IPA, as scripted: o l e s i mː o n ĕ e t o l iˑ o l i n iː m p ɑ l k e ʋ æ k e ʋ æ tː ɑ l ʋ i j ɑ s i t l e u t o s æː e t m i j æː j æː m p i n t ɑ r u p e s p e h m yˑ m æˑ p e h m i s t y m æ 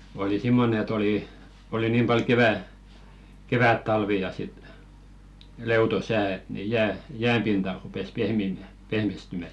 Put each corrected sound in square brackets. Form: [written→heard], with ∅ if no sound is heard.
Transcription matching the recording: o l [e→i] s i mː o n ĕ e t o l iˑ o l i n iː m p ɑ l k e ʋ æ k e ʋ æ tː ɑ l ʋ i j ɑ s i t l e u t o s æː e t [m→n] i j æː j æː m p i n t ɑ r u p e s p e h m [yˑ→iˑ] m æˑ p e h m i s t y m æ